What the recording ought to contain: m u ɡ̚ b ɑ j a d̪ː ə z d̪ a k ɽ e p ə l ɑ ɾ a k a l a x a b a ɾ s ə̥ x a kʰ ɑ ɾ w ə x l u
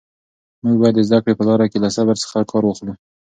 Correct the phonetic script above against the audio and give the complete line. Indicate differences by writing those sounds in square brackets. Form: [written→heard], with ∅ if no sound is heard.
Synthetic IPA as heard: m u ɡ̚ b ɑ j a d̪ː ə z d̪ a k ɽ e p ə l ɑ ɾ a k [a→e] l a [x→s] a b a ɾ s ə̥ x a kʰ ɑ ɾ w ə x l u